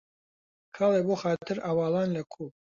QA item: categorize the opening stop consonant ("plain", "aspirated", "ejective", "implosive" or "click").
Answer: aspirated